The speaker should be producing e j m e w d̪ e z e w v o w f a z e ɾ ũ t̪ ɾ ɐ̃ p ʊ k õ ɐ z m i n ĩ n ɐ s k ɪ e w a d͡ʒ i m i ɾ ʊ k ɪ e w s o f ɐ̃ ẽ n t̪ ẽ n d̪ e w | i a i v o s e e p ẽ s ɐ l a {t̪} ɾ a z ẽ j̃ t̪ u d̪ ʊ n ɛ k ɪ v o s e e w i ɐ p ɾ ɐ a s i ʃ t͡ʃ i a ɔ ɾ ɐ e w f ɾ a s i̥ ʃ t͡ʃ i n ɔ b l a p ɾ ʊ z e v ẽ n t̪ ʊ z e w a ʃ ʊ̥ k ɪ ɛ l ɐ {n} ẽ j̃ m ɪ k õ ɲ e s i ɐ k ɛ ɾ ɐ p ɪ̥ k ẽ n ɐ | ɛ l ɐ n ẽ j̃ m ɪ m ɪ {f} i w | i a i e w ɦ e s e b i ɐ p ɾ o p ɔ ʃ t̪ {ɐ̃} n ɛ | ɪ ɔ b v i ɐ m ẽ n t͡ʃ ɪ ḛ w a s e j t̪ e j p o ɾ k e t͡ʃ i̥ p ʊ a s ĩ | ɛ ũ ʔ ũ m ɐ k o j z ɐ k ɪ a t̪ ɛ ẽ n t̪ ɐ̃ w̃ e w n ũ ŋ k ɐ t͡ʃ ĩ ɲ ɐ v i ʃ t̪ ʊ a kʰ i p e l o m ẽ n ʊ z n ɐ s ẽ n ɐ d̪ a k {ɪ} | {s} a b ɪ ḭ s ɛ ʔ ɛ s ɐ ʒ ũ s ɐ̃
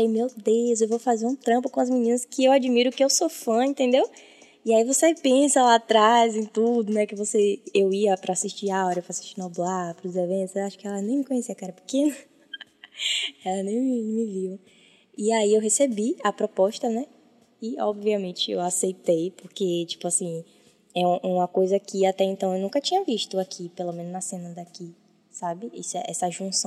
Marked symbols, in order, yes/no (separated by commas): yes, yes, no, no, no, yes